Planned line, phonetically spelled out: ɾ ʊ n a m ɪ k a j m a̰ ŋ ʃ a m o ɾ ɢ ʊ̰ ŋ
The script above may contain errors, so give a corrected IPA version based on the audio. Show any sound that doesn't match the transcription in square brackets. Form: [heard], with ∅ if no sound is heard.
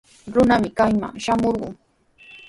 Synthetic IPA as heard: ɾ ʊ n a m ɪ k a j m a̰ ŋ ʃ a m o ɾ ɢ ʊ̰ ŋ